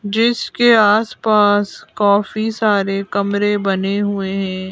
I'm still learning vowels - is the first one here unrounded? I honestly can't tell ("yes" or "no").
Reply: yes